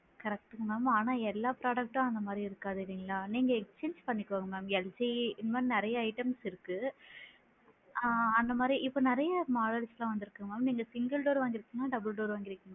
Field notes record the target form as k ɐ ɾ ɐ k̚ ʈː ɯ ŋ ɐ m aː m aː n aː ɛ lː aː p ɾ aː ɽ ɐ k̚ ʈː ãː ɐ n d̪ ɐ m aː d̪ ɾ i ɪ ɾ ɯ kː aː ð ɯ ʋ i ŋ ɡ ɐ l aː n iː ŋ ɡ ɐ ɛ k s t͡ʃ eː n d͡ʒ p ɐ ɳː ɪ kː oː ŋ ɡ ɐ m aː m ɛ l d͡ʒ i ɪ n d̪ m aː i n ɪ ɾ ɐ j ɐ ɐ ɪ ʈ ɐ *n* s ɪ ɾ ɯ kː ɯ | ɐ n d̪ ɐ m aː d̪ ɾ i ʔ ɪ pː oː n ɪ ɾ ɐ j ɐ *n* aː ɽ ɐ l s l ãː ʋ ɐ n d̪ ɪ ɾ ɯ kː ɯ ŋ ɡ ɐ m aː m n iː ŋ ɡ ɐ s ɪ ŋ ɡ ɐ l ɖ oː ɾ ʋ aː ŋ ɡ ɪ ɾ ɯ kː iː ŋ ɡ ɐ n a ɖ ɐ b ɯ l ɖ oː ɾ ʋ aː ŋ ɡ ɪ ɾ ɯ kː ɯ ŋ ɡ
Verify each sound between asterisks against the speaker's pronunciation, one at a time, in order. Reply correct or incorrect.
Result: incorrect, incorrect

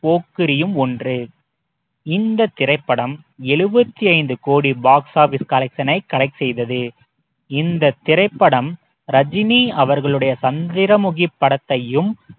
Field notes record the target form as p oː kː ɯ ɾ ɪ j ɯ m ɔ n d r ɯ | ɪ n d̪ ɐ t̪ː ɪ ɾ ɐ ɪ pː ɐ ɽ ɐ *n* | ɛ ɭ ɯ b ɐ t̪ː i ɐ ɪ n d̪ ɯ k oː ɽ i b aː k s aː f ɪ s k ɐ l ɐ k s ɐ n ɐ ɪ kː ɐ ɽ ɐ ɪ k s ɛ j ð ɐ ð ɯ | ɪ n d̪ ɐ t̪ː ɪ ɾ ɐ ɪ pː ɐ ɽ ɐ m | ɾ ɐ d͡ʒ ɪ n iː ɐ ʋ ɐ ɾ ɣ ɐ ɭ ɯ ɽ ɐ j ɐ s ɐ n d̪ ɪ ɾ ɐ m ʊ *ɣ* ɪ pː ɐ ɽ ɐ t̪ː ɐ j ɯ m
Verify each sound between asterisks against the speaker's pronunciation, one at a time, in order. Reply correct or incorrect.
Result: incorrect, correct

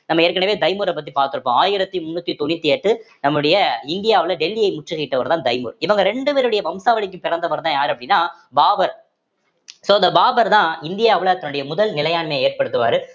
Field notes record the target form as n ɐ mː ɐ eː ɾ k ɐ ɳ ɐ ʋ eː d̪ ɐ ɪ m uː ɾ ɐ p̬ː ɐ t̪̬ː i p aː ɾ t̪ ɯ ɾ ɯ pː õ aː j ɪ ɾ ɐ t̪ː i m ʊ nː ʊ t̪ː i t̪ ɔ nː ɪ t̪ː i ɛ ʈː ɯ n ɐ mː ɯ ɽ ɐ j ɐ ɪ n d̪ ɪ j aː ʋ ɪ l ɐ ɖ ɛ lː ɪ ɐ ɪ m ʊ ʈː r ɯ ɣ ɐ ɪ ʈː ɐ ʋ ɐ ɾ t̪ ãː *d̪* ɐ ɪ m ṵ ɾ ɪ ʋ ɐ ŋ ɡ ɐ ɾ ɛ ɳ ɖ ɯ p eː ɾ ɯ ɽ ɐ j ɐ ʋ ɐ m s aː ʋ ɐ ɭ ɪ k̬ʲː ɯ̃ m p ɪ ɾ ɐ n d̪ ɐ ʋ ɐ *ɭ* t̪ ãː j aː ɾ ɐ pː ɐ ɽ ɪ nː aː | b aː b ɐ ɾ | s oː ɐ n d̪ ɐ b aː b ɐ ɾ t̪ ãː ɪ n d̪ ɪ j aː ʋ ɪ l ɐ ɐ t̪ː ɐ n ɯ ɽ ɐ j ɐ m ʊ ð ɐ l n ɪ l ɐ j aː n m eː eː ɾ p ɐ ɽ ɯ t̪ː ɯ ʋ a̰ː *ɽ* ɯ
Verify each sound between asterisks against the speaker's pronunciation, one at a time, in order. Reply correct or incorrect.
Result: correct, incorrect, incorrect

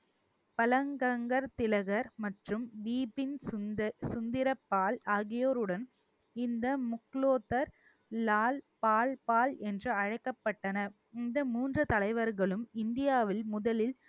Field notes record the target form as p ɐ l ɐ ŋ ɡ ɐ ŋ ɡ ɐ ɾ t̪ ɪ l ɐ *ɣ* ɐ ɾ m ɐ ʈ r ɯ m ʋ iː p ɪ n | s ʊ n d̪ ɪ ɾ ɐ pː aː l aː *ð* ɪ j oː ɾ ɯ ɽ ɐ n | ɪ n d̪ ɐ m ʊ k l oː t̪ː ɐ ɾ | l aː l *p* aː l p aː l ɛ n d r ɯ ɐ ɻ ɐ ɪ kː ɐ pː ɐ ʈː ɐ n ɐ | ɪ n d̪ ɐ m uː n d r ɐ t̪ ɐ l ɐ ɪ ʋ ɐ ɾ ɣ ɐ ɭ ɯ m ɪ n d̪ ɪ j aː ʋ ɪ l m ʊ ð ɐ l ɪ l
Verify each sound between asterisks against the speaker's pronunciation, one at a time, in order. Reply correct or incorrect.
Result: correct, incorrect, correct

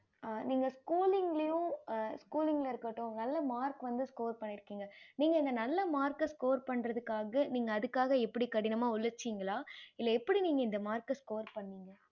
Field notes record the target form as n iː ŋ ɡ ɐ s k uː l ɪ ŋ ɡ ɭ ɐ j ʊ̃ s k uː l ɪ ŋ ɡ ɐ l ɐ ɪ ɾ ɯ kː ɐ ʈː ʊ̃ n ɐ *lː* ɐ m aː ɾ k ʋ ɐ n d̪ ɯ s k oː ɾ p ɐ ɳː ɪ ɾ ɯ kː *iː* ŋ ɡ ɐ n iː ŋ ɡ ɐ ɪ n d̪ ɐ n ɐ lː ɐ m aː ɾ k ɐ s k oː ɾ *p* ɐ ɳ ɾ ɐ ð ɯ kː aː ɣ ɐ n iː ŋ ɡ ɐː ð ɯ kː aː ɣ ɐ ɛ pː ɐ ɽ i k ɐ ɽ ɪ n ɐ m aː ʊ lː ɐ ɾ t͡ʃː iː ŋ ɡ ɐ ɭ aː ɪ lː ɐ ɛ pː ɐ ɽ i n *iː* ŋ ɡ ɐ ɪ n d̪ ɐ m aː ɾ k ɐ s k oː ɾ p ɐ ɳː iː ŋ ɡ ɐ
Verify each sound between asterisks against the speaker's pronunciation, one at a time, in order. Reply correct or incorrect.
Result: correct, correct, correct, correct

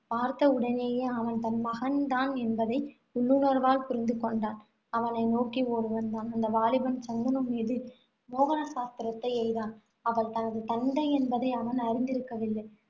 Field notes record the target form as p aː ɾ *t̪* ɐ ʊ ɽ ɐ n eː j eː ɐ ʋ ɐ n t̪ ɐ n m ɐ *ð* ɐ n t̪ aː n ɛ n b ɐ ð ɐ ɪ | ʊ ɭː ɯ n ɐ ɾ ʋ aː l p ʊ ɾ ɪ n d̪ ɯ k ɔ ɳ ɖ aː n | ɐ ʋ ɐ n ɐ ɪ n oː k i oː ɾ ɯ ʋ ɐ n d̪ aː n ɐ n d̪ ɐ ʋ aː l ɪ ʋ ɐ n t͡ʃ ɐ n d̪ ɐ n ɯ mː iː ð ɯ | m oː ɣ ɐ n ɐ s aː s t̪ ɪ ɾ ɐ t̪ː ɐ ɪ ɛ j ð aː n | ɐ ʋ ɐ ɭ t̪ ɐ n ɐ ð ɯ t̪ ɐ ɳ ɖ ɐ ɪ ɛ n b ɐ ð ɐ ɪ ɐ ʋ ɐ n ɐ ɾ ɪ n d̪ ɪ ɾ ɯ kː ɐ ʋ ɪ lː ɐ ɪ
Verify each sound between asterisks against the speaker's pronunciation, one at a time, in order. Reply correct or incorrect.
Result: correct, incorrect

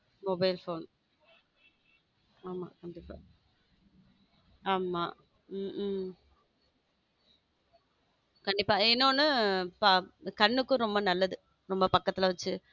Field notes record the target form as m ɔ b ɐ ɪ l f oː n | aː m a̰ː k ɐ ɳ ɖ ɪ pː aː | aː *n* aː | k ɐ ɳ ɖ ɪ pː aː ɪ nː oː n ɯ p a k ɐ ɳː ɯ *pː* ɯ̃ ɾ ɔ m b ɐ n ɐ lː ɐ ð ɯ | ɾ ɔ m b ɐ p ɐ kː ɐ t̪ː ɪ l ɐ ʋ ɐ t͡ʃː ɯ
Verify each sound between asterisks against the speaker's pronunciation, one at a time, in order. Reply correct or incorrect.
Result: incorrect, incorrect

